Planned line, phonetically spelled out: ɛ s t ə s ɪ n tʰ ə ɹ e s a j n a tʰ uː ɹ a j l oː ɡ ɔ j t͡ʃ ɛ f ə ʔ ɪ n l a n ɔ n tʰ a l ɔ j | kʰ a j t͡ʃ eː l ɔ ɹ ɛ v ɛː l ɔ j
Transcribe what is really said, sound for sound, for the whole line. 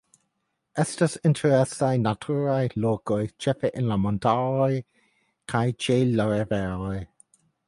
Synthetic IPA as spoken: ɛ s t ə s ɪ n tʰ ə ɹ ɛ s a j n a tʰ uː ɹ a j l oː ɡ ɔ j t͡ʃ ɛ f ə ʔ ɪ n l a m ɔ n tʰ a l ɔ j | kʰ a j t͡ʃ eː l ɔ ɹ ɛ v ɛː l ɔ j